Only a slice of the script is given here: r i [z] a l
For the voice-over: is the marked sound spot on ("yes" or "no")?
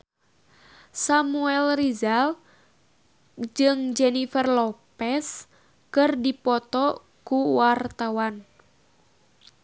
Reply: yes